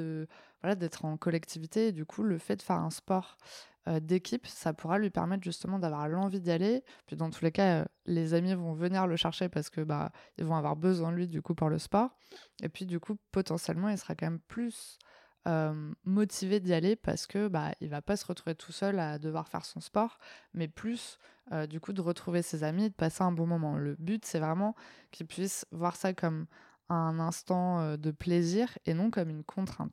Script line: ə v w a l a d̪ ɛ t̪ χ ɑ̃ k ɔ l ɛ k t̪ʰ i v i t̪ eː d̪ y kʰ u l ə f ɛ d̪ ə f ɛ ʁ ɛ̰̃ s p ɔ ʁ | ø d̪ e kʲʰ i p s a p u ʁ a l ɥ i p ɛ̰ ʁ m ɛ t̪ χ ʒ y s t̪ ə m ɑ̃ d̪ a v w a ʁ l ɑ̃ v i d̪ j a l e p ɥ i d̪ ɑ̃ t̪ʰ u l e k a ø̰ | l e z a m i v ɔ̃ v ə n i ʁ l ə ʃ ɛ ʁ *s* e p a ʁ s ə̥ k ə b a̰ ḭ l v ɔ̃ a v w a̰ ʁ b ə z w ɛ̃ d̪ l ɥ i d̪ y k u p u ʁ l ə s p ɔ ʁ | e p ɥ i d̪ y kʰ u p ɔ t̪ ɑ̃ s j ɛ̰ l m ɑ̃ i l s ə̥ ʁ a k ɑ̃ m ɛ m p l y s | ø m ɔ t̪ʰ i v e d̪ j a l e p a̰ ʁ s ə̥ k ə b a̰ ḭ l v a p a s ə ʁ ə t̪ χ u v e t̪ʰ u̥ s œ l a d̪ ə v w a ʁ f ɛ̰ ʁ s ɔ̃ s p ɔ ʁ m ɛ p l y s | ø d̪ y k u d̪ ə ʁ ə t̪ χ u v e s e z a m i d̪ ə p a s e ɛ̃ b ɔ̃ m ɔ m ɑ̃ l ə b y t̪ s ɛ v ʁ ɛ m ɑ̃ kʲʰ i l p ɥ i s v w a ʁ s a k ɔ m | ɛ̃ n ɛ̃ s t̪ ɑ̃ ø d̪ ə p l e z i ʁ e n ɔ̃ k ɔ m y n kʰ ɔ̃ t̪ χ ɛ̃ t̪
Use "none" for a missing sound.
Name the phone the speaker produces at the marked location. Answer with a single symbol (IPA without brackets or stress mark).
ʃ